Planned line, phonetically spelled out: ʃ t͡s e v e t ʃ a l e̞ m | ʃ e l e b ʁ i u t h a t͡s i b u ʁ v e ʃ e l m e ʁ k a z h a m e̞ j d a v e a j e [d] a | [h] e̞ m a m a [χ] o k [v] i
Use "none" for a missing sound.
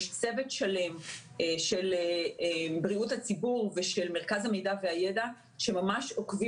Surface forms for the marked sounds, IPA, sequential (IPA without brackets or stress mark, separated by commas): d, ʃ, ʃ, v